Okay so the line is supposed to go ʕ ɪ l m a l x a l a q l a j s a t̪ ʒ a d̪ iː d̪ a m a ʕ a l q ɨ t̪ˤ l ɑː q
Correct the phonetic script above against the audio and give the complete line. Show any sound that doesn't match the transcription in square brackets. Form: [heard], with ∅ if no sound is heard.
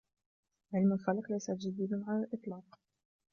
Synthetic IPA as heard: ʕ ɪ l m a l x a l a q l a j s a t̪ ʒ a d̪ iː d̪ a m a ʕ a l [ʔ] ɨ t̪ˤ l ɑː q